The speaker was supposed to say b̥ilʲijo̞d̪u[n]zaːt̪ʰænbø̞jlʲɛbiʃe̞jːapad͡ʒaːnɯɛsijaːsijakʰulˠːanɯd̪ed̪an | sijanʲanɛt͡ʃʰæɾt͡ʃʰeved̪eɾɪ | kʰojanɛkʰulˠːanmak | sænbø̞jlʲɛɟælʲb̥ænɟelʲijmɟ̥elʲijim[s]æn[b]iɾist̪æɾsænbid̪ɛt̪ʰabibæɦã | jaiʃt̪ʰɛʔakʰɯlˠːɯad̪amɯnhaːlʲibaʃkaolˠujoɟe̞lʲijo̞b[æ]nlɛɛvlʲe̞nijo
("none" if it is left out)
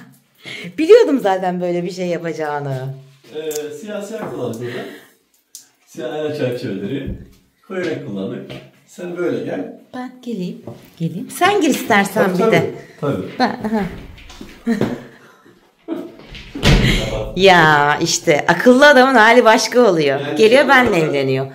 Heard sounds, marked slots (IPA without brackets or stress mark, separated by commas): m, s, ɟ, æ